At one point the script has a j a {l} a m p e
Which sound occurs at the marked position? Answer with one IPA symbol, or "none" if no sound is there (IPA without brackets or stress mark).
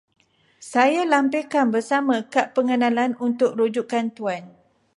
l